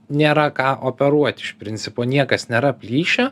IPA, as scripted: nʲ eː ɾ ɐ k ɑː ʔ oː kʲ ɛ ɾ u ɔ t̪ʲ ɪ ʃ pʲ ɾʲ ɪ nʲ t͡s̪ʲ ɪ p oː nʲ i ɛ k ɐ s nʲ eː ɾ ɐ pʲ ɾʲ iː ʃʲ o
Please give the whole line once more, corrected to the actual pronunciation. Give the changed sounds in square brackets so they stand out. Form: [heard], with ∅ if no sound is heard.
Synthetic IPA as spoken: nʲ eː ɾ ɐ k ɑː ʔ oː [pʲ] ɛ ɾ u ɔ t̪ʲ ɪ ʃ pʲ ɾʲ ɪ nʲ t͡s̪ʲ ɪ p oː nʲ i ɛ k ɐ s nʲ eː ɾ ɐ pʲ [lʲ] iː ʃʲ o